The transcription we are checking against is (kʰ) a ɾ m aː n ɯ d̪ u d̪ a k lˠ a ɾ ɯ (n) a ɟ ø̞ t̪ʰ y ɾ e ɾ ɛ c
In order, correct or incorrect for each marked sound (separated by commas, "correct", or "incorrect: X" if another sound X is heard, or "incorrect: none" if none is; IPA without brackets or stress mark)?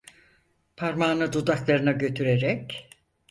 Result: incorrect: pʰ, correct